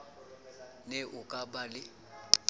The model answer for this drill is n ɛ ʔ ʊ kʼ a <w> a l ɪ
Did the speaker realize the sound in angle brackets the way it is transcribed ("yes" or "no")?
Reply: no